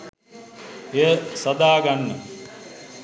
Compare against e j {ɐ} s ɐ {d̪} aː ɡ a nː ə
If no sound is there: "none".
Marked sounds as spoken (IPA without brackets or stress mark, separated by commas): ə, d̪